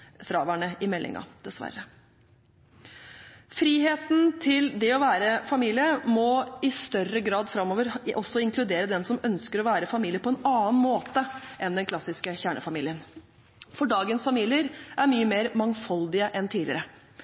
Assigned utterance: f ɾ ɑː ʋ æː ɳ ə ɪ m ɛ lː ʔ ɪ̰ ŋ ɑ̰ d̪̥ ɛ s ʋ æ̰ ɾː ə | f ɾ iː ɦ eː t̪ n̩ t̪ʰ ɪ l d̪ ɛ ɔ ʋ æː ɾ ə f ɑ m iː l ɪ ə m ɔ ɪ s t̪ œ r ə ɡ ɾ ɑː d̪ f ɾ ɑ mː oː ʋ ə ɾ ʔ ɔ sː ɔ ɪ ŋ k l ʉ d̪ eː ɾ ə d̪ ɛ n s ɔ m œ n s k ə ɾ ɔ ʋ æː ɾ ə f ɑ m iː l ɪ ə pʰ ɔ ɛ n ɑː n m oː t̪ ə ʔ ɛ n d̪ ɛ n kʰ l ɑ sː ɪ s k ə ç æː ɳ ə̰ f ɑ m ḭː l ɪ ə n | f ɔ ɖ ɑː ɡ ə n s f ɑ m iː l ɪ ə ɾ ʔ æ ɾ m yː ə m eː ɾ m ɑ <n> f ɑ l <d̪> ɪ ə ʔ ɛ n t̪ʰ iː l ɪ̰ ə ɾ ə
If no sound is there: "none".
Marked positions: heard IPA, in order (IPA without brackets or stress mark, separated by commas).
ŋ, d̪